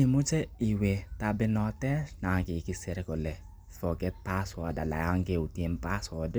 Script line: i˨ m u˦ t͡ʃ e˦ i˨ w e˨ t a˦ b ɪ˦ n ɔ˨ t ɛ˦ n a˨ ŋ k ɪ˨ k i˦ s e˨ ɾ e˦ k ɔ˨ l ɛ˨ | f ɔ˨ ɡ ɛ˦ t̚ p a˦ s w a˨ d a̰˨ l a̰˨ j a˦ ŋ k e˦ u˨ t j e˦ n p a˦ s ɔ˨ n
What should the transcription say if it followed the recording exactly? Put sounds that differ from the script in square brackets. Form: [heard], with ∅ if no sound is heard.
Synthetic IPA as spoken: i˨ m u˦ t͡ʃ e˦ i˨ w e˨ t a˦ b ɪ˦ n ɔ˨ t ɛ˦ n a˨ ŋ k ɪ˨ k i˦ s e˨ ɾ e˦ k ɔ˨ l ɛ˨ | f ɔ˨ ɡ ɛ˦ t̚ p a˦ s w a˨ d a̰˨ l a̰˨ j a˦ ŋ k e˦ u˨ t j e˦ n p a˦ s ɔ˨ [d]